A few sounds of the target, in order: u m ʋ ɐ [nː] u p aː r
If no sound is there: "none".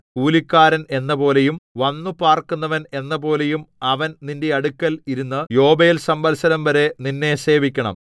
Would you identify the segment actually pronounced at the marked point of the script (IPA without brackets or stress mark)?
nː